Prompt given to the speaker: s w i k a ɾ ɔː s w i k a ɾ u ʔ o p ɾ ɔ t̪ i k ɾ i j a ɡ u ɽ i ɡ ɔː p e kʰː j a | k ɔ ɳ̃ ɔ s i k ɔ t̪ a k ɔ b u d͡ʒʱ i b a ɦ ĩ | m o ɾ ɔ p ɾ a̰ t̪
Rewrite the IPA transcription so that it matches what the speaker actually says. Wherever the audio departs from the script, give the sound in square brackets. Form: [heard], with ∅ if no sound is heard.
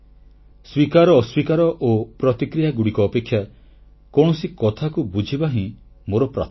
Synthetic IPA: s w i k a ɾ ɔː s w i k a ɾ [ɔ] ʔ o p ɾ ɔ t̪ i k ɾ i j a ɡ u ɽ i [k] ɔː p e kʰː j a | k ɔ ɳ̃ ɔ s i k ɔ [t̪ʰ] a k [u] b u d͡ʒʱ i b a ɦ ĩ | m o ɾ ɔ p ɾ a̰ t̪